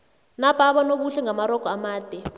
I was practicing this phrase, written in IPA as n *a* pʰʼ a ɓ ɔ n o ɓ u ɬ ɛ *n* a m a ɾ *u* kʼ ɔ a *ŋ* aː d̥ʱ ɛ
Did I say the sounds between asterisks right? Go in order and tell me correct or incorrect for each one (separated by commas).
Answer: correct, incorrect, incorrect, incorrect